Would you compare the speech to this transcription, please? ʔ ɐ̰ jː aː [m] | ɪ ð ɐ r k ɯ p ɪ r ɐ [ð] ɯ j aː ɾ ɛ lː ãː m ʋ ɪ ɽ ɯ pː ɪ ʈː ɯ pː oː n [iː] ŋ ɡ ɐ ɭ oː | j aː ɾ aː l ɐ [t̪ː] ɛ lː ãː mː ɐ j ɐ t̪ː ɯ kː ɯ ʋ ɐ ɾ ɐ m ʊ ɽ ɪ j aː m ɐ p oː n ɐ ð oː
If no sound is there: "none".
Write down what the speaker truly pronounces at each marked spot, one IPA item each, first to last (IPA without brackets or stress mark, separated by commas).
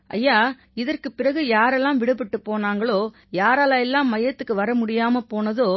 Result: none, ɣ, aː, none